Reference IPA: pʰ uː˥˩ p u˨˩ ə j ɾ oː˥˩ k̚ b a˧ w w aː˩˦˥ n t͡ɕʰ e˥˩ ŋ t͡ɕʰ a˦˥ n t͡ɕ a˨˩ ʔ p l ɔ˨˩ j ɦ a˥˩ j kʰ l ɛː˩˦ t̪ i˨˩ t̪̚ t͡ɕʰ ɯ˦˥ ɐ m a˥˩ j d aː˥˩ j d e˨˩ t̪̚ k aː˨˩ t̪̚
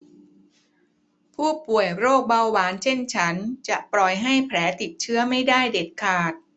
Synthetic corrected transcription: pʰ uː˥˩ p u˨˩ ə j ɾ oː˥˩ k̚ b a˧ w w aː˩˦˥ n t͡ɕʰ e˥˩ n t͡ɕʰ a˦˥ n t͡ɕ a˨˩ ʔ p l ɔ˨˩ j ɦ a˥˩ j pʰ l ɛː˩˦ t̪ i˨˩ t̪̚ t͡ɕʰ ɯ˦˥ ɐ m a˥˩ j d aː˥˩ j d e˨˩ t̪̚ kʰ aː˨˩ t̪̚

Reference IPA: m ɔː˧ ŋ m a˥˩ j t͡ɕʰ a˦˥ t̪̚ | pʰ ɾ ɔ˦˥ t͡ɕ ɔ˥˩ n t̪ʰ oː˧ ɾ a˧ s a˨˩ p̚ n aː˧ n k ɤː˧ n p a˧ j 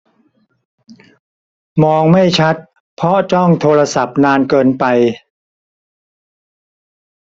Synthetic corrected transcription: m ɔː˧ ŋ m a˥˩ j t͡ɕʰ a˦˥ t̪̚ | pʰ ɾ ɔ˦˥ t͡ɕ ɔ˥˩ ŋ t̪ʰ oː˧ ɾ a˧ s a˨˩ p̚ n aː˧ n k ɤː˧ n p a˧ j

